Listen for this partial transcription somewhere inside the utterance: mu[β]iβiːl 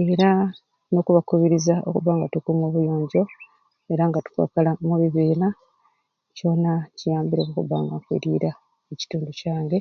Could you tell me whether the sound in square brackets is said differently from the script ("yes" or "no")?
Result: no